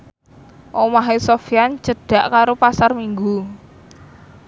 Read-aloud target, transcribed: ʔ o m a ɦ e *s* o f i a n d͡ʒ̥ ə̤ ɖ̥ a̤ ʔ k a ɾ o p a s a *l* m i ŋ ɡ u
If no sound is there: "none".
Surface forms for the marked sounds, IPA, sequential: s, r

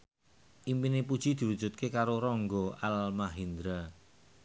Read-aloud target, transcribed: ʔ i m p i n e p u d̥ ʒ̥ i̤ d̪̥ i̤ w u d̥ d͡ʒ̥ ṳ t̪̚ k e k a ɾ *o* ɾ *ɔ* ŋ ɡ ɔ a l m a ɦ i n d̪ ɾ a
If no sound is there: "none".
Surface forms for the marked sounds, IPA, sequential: o, ɔ

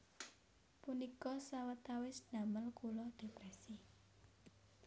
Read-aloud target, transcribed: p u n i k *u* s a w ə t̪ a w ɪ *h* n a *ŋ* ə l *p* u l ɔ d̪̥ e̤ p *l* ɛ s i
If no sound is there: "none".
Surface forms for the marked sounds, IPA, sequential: ɔ, s, m, k, ɾ

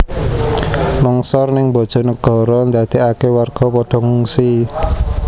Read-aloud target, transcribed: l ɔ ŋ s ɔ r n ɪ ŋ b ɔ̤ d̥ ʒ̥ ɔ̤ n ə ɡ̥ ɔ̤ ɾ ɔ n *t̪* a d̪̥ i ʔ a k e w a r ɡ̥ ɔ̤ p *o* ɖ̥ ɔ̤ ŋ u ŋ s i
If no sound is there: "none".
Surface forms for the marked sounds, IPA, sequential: d̪, ɔ

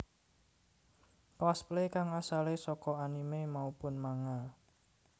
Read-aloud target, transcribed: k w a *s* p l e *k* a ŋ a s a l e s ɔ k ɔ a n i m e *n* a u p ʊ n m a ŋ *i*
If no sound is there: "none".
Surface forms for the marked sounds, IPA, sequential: s, k, m, a

